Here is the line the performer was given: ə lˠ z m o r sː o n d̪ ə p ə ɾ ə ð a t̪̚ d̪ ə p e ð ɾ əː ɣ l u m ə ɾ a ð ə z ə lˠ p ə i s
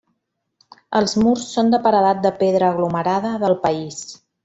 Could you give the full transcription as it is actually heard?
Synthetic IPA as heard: ə lˠ z m u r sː o n d̪ ə p ə ɾ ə ð a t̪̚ d̪ ə p e ð ɾ əː ɣ l u m ə ɾ a ð ə ð ə lˠ p ə i s